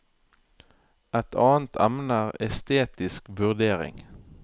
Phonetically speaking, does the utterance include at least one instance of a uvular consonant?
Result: yes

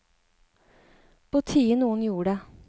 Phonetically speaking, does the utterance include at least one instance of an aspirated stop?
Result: yes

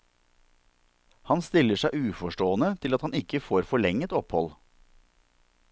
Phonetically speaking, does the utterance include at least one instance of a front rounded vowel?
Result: no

